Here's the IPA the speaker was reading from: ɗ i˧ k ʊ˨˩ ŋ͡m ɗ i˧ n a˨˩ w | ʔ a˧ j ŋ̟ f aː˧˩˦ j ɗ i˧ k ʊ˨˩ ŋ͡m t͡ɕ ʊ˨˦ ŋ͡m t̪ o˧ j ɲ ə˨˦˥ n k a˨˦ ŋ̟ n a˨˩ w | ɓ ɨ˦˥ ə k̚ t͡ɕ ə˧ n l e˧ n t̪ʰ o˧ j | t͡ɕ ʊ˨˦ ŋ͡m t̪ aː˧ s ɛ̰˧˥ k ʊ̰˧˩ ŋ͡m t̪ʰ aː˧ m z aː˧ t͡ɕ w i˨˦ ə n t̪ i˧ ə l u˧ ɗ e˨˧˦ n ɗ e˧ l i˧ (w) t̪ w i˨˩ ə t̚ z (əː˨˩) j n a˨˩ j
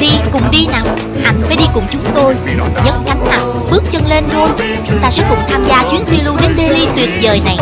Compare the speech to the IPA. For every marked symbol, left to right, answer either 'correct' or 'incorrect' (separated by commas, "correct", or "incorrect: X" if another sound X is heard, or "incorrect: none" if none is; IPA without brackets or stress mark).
incorrect: none, correct